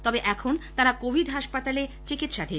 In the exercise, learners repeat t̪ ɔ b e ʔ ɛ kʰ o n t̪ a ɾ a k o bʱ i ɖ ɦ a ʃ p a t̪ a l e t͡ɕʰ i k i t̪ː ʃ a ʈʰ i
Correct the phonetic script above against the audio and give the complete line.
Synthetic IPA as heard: t̪ ɔ b e ʔ ɛ kʰ o n t̪ a ɾ a k o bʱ i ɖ ɦ a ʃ p a t̪ a l e t͡ɕ i k i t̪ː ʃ a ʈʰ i